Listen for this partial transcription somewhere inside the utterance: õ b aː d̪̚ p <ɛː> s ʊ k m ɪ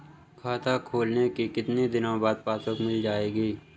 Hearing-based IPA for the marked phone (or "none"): aː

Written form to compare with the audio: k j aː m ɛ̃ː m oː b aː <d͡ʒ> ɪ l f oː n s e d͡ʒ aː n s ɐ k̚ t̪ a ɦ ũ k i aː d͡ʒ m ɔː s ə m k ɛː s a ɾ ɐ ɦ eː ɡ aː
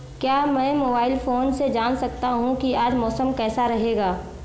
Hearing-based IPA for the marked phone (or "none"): none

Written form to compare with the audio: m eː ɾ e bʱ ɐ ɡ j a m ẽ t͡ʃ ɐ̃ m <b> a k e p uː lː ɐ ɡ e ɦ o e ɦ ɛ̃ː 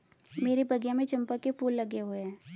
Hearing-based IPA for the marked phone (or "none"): p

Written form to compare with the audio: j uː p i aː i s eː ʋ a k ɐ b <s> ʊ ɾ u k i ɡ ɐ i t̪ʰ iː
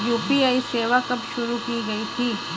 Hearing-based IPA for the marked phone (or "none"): ʃ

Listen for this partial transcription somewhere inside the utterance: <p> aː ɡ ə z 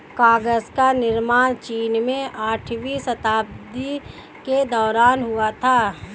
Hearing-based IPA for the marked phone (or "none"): k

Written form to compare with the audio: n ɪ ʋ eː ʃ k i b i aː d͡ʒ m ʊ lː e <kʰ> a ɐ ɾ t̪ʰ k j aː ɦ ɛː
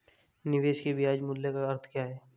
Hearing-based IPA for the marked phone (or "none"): k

